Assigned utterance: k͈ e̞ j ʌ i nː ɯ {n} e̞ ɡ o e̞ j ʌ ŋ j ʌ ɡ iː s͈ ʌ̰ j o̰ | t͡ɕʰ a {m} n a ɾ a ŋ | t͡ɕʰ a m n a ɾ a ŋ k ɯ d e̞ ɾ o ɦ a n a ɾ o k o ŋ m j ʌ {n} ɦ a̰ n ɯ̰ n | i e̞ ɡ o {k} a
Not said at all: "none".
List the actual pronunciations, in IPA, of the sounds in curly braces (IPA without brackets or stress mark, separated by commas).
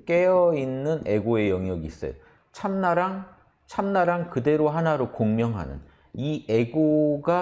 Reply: n, m, ŋ, ɡ